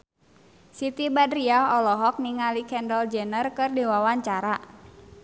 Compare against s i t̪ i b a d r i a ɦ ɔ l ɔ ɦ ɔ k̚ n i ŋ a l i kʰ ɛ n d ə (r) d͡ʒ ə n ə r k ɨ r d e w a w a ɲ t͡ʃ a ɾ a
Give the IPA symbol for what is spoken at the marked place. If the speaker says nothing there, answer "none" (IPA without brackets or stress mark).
l